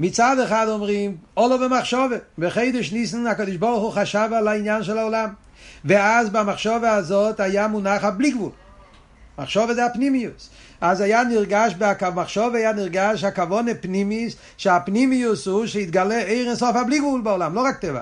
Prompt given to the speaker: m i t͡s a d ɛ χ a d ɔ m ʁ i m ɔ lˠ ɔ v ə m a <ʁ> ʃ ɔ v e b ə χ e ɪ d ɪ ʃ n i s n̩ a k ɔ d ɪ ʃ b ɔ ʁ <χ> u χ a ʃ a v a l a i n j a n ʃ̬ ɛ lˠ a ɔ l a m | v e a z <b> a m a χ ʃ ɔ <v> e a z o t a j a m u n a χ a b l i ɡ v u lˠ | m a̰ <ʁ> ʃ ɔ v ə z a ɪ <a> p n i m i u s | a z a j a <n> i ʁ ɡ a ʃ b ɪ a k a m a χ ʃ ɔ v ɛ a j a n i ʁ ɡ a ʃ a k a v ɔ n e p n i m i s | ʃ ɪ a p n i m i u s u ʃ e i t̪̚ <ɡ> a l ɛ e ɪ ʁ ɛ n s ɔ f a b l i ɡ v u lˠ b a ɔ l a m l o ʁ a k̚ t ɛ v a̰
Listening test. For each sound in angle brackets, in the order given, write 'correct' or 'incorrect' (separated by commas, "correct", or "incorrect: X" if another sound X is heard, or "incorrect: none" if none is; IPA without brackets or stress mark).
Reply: incorrect: χ, correct, correct, correct, incorrect: χ, correct, correct, correct